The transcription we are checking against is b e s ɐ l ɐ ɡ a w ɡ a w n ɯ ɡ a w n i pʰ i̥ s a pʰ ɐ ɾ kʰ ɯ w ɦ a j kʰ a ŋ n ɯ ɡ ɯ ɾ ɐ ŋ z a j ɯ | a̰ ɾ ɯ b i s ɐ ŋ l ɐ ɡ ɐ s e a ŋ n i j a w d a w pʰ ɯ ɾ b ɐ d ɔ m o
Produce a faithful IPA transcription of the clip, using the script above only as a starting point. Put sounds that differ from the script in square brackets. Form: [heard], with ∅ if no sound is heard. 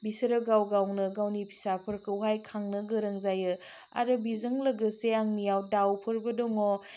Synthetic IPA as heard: b [i] s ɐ [ɾ] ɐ ɡ a w ɡ a w n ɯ ɡ a w n i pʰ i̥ s a pʰ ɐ ɾ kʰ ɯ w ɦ a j kʰ a ŋ n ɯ ɡ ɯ ɾ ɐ ŋ z a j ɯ | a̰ ɾ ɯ b i [z] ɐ ŋ l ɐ ɡ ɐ s e a ŋ n i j a w d a w pʰ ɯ ɾ b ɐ d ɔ [ŋ] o

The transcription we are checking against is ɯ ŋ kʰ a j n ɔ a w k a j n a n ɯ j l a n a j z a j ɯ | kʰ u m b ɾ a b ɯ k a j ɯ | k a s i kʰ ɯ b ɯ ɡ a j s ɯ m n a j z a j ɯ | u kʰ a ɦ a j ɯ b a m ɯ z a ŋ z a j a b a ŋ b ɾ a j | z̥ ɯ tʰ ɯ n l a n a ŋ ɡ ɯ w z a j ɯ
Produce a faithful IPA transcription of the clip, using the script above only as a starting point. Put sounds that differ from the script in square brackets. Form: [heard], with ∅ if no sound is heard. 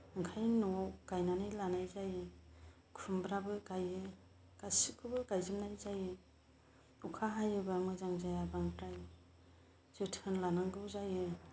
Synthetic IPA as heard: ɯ ŋ kʰ a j n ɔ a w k a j n a n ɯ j l a n a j z a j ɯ | kʰ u m b ɾ a b ɯ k a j ɯ | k a s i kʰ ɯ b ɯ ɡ a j [z] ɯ m n a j z a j ɯ | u kʰ a ɦ a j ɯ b a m ɯ z a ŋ z a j a b a ŋ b ɾ a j | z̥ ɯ tʰ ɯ n l a n a ŋ ɡ ɯ w z a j ɯ

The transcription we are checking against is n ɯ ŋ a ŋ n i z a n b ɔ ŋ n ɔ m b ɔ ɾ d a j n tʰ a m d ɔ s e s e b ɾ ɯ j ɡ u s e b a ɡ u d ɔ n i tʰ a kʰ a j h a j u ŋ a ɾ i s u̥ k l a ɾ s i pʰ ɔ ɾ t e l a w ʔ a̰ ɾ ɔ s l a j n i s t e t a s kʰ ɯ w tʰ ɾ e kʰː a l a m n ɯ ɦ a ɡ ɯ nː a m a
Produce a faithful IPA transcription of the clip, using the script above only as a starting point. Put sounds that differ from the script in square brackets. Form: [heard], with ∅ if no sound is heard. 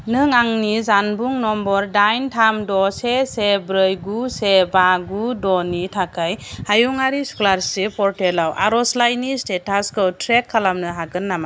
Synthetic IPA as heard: n ɯ ŋ a ŋ n i z a n b [u] ŋ n ɔ m b ɔ ɾ d a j n tʰ a m d ɔ s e s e b ɾ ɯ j ɡ u s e b a ɡ u d ɔ n i tʰ a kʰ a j h a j u ŋ a ɾ i s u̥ k l a ɾ s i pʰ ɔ ɾ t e l a w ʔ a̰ ɾ ɔ s l a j n i s t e t a s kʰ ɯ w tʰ ɾ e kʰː a l a m n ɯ ɦ a ɡ ɯ nː a m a

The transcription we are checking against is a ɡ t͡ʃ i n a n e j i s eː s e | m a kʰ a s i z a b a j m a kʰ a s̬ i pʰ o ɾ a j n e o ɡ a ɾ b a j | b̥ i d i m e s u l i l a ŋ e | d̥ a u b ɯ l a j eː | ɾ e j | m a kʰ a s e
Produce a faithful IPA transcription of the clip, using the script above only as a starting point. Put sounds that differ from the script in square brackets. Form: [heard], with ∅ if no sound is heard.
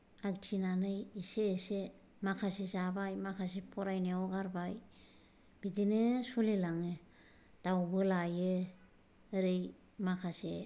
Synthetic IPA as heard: a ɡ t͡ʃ i n a n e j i s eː s e | m a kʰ a s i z a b a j m a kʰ a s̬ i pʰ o ɾ a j n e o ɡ a ɾ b a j | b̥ i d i [n] e s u l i l a ŋ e | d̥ a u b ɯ l a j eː | ɾ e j | m a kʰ a s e

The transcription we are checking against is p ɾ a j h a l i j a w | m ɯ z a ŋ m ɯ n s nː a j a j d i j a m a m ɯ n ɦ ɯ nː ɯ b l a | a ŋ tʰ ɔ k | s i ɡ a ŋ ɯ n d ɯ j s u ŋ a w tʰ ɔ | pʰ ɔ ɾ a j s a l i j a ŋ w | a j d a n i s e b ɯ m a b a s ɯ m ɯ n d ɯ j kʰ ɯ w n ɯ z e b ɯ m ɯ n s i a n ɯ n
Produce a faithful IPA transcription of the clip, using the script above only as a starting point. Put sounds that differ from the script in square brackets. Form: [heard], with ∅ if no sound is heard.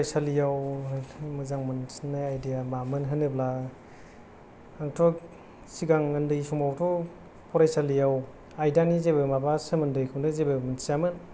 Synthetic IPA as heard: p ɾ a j [s] a l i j a w | m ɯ z a ŋ m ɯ n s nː a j a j d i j a m a m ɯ n ɦ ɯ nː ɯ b l a | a ŋ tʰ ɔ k | s i ɡ a ŋ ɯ n d ɯ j s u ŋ a w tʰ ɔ | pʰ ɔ ɾ a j s a l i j a [∅] w | a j d a n i [z] e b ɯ m a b a s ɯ m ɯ n d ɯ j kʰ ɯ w n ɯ z e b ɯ m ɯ n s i a [m] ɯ n

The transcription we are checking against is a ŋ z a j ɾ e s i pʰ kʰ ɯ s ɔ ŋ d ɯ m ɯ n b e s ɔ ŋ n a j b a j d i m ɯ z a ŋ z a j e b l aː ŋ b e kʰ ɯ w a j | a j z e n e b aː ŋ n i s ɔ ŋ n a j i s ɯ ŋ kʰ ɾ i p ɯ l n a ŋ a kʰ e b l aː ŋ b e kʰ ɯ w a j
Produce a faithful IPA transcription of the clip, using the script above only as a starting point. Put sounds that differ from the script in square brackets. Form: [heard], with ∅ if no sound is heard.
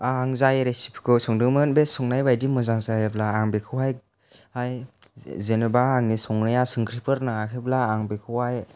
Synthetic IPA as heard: a ŋ z a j ɾ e s i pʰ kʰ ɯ s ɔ ŋ d ɯ m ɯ n b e s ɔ ŋ n a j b a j d i m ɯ z a ŋ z a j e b l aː ŋ b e kʰ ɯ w a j | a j z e n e b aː ŋ n i s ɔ ŋ n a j [a] s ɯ ŋ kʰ ɾ i p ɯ [ɾ] n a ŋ a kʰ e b l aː ŋ b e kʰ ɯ w a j

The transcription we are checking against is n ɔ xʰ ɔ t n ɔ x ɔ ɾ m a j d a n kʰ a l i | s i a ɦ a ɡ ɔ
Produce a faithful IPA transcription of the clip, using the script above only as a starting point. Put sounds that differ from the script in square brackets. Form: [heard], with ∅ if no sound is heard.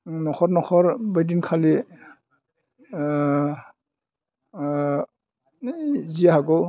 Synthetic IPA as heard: n ɔ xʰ ɔ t n ɔ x ɔ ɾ [b] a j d [i] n kʰ a l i | [z] i a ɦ a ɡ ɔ

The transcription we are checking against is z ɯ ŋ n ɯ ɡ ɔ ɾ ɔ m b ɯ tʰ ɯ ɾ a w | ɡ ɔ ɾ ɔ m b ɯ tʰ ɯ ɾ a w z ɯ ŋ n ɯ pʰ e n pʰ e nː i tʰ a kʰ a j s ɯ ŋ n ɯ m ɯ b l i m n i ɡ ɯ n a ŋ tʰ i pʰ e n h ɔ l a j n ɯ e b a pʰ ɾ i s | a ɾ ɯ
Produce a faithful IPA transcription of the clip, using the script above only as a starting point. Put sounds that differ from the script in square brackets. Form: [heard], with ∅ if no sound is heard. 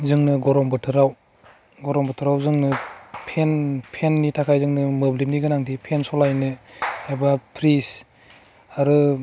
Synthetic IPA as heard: z ɯ ŋ n ɯ ɡ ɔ ɾ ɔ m b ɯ tʰ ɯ ɾ a w | ɡ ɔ ɾ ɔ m b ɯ tʰ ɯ ɾ a w z ɯ ŋ n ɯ pʰ e n pʰ e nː i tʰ a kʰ a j [z] ɯ ŋ n ɯ m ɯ b l i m n i ɡ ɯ n a ŋ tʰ i pʰ e n [s] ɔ l a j n ɯ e b a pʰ ɾ i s | a ɾ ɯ

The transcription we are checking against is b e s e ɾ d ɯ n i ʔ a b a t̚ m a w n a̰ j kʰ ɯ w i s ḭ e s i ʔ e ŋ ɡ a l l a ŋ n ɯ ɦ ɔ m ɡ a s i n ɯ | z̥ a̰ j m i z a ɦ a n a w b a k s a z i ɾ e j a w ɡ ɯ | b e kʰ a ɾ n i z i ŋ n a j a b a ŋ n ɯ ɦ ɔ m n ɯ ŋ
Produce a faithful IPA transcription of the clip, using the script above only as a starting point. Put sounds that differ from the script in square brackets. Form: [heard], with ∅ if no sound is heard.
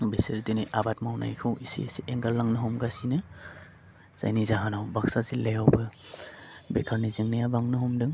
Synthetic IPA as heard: b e s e ɾ d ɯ n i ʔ a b a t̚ m a w n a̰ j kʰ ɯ w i s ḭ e s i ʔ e ŋ ɡ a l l a ŋ n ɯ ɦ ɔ m ɡ a s i n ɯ | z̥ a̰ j [n] i z a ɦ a n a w b a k s a z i [l] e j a w [b] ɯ | b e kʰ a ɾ n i z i ŋ n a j a b a ŋ n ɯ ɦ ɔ m [d] ɯ ŋ

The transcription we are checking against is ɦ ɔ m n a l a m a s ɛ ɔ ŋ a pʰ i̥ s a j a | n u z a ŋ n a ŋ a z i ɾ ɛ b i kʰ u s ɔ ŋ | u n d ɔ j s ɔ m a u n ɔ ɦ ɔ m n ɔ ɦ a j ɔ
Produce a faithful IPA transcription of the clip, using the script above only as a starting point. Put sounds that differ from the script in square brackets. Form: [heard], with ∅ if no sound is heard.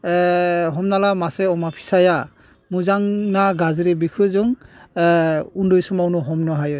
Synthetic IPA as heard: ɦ ɔ m n a l a m a s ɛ ɔ [m] a pʰ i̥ s a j a | [m] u z a ŋ n a [ɡ] a z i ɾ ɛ b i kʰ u [z] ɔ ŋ | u n d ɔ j s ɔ m a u n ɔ ɦ ɔ m n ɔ ɦ a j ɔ

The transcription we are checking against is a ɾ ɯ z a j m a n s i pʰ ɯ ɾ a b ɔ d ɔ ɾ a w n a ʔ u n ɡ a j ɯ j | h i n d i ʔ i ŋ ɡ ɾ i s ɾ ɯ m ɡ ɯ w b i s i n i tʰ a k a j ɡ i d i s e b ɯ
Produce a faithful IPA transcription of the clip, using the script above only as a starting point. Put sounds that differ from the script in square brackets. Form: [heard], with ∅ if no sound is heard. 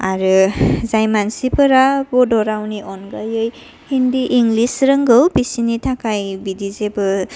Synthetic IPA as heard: a ɾ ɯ z a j m a n s i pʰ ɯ ɾ a b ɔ d ɔ ɾ a w n [i] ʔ [ɔ] n ɡ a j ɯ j | h i n d i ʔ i ŋ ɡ [l] i s ɾ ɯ [ŋ] ɡ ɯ w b i s i n i tʰ a k a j [b] i d i [z] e b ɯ

